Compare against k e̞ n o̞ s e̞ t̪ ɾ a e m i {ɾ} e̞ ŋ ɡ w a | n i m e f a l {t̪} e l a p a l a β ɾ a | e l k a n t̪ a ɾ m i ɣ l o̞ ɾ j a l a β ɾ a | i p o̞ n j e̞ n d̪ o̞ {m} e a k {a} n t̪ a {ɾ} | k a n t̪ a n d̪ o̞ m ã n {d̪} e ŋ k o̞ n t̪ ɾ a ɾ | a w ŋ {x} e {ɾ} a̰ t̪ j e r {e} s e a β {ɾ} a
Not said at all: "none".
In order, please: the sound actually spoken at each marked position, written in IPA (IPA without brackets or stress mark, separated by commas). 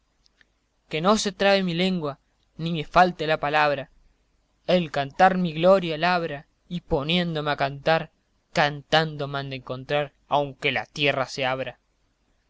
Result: l, t̪, m, a, ɾ, d̪, k, l, a, ɾ